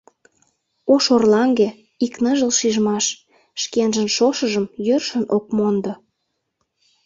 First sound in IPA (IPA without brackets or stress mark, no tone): o